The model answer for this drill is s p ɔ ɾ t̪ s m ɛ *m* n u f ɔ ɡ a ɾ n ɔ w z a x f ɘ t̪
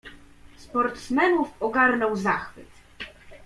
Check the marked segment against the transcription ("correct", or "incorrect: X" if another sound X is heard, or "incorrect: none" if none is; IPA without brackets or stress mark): incorrect: none